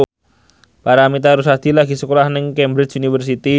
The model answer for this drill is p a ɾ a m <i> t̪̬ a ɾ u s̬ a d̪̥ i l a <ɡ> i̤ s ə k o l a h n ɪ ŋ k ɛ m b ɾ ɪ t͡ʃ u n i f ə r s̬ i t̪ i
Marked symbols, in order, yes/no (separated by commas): yes, yes